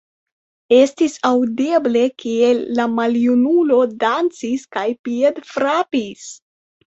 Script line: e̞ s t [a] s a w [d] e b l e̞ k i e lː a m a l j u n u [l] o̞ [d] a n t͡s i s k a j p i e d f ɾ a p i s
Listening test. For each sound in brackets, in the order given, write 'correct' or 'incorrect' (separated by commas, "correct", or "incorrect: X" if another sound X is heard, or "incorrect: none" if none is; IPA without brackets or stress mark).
incorrect: i, correct, correct, correct